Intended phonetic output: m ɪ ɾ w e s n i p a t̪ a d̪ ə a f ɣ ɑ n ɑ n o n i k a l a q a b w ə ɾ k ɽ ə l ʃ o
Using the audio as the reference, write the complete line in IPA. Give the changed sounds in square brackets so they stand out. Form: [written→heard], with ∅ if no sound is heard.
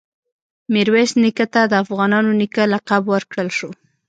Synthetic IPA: m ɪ ɾ w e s n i [p→k] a t̪ a d̪ ə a f ɣ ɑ n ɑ n o n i k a l a q a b w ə ɾ k ɽ ə l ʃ o